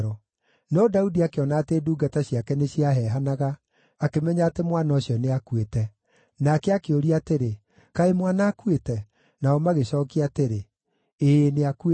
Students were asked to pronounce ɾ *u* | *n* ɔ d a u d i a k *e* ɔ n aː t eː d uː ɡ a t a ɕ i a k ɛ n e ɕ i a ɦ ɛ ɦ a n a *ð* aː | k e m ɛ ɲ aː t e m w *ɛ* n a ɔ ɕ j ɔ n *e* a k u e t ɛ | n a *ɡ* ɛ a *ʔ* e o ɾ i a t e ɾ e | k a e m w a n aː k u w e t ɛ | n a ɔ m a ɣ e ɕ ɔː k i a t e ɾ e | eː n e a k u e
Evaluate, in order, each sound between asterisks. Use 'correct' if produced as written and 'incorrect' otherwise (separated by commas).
incorrect, correct, correct, incorrect, incorrect, correct, incorrect, incorrect